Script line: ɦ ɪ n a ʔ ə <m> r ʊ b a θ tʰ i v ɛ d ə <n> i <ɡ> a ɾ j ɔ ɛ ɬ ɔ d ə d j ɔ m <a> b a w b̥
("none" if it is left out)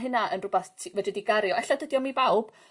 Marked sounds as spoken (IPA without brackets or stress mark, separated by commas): n, d, ɡ, i